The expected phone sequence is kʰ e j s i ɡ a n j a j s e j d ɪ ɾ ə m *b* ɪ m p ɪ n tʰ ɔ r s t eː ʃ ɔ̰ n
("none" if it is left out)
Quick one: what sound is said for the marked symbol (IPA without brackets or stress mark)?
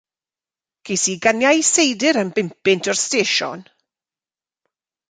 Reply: b